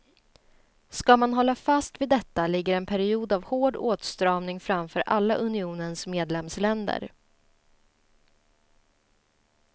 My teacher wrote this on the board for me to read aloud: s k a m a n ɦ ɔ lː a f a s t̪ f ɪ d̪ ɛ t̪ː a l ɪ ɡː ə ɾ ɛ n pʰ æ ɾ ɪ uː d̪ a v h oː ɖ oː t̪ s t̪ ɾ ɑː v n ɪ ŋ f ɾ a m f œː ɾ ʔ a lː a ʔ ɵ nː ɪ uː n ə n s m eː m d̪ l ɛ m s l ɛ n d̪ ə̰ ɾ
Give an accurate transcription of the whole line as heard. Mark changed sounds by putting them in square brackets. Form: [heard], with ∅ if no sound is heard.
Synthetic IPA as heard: s k a m a n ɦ ɔ lː a f a s t̪ [v] ɪ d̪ ɛ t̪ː a l ɪ ɡː ə ɾ ɛ n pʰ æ ɾ ɪ uː d̪ a v h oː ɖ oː t̪ s t̪ ɾ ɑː v n ɪ ŋ f ɾ a m f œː ɾ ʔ a lː a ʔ ɵ [n] ɪ uː n ə n s m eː [∅] d̪ l ɛ m s l ɛ n d̪ ə̰ ɾ